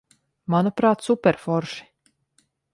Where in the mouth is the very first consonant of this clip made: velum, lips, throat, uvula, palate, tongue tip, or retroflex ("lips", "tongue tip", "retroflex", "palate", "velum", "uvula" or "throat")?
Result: lips